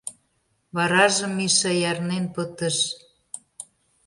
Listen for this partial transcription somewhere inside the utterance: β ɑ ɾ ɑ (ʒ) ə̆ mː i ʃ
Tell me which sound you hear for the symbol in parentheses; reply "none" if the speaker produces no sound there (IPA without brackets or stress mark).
ʒ